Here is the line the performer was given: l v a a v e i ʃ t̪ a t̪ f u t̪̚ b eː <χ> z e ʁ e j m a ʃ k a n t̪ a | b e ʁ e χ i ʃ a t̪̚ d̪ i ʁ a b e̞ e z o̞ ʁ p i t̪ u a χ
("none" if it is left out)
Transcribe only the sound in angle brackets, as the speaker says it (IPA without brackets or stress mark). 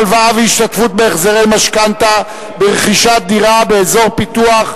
χ